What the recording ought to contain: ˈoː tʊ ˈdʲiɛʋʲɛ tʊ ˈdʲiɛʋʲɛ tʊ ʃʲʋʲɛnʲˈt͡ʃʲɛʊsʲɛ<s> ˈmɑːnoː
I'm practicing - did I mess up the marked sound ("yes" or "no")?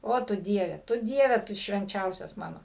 no